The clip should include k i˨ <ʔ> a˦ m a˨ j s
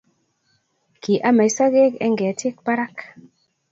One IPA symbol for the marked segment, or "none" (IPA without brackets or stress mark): ʔ